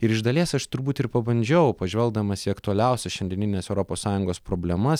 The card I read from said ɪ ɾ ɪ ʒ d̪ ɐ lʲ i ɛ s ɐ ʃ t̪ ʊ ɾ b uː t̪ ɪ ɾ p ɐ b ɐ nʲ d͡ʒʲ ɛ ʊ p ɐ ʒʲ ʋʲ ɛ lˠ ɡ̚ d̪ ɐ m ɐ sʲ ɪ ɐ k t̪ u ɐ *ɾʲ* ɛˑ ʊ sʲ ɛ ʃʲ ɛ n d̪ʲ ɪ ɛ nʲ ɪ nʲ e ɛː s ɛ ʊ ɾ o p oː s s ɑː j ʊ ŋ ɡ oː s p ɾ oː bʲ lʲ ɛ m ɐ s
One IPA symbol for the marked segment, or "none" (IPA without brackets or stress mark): lʲ